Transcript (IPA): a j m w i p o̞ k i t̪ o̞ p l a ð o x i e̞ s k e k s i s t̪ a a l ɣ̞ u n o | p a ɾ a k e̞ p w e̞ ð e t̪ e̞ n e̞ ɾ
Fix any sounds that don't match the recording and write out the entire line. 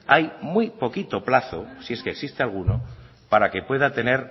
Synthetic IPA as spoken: a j m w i p o̞ k i t̪ o̞ p l a θ o s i e̞ s k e k s i s t̪ e a l ɣ̞ u n o | p a ɾ a k e̞ p w e̞ ð a t̪ e̞ n e̞ ɾ